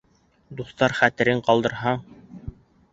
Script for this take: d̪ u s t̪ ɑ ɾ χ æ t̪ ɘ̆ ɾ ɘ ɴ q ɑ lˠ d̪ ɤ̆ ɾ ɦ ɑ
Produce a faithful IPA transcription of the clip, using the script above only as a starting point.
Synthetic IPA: d̪ u θ t̪ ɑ ɾ χ æ t̪ ɘ̆ ɾ ɘ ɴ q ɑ lˠ d̪ ɤ̆ ɾ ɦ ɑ